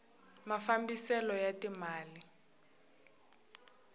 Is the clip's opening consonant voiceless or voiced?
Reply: voiced